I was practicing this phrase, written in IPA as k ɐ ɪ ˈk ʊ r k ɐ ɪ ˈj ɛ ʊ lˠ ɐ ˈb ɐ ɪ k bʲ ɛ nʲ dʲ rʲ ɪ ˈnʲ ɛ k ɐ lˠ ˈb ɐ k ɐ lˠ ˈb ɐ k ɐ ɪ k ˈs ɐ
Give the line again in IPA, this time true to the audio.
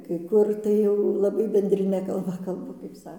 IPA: k ɐ ɪ ˈk ʊ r t ɐ ɪ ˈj ɛ ʊ lˠ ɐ ˈb ɐ ɪ bʲ ɛ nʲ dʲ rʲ ɪ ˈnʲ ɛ k ɐ lˠ ˈb ɐ k ɐ lˠ ˈb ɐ k ɐ ɪ p ˈs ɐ